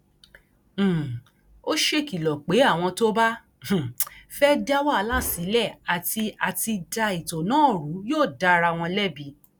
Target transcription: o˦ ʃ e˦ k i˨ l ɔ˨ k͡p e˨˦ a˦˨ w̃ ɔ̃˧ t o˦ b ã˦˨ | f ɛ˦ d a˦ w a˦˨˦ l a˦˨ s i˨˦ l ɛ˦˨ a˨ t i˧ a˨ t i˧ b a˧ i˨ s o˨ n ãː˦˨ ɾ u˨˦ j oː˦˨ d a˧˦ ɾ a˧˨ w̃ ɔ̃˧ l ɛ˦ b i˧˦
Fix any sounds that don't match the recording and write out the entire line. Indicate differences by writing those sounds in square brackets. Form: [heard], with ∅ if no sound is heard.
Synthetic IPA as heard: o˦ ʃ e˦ k i˨ l ɔ˨ k͡p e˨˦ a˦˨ w̃ ɔ̃˧ t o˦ b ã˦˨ | f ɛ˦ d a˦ w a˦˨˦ l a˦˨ s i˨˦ l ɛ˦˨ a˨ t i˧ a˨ t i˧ [d] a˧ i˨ [t] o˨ n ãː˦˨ ɾ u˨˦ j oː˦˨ d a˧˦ ɾ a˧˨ w̃ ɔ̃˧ l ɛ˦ b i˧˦